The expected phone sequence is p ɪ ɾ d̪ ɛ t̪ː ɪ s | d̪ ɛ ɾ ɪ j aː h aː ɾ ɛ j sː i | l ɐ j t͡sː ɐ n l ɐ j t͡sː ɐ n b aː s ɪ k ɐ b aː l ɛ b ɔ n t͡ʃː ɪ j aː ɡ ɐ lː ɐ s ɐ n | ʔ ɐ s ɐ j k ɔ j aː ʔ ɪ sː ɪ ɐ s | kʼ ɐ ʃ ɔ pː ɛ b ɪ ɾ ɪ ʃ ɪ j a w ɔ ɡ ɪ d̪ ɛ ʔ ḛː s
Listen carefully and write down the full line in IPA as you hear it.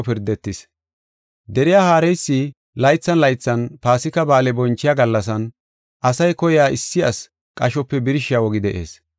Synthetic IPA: p ɪ ɾ d̪ ɛ t̪ː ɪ s | d̪ ɛ ɾ ɪ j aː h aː ɾ ɛ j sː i | l ɐ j t͡sː ɐ n l ɐ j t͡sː ɐ n p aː s ɪ k ɐ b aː l ɛ b ɔ n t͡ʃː ɪ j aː ɡ ɐ lː ɐ s ɐ n | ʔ ɐ s ɐ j k ɔ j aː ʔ ɪ sː ɪ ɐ s | kʼ ɐ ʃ ɔ pː ɛ b ɪ ɾ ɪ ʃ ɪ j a w ɔ ɡ ɪ d̪ ɛ ʔ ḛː s